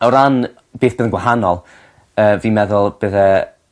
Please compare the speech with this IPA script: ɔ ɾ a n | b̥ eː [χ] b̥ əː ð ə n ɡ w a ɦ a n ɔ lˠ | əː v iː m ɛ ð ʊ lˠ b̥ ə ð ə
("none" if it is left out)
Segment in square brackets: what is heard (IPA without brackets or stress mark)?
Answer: θ